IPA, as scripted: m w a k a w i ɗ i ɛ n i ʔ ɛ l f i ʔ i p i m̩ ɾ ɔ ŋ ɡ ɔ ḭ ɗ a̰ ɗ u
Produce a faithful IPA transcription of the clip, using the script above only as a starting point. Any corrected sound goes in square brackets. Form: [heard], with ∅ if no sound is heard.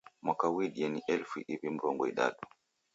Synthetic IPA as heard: m w a k a w i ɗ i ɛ n i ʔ ɛ l f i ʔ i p i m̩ ɾ ɔ ŋ ɡ ɔ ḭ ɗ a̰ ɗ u